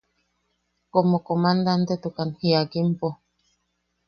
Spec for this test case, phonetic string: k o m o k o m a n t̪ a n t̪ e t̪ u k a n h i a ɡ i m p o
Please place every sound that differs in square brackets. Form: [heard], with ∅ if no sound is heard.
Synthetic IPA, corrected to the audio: k o m o k o m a n [d̪] a n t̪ e t̪ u k a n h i a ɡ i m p o